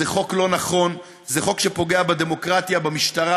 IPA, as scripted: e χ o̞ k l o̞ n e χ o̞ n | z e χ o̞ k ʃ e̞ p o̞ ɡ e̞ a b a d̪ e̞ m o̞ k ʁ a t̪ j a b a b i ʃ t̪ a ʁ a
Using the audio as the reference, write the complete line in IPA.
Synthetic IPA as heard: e χ o̞ k l o̞ n a χ o̞ n | z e χ o̞ k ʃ e̞ p o̞ ɡ e̞ a b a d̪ e̞ m o̞ k ʁ a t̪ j a b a m i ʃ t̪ a ʁ a